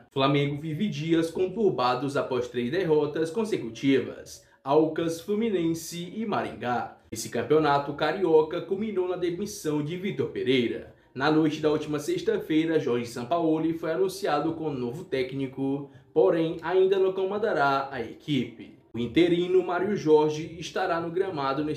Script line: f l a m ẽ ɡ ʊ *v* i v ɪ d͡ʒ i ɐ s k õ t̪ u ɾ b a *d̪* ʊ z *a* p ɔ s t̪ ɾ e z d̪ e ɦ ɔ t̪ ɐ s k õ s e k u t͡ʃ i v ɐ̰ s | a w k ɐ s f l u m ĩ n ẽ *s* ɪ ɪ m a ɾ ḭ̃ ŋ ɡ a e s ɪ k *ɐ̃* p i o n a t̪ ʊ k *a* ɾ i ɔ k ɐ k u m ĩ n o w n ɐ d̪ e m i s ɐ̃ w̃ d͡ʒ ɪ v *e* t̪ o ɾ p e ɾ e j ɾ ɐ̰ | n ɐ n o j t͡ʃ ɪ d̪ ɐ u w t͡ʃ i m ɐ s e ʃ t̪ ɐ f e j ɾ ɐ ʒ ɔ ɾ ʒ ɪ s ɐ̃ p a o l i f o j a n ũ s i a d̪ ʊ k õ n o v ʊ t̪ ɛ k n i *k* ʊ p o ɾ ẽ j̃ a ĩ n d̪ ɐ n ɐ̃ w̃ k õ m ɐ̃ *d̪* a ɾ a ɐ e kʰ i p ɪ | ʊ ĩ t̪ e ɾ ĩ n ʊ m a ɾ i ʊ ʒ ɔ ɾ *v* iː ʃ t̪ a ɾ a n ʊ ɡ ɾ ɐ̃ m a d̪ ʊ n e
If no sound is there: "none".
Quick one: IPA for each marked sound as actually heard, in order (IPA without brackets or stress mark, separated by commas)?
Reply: v, d̪, a, s, ɐ̃, a, i, k, d̪, ʒ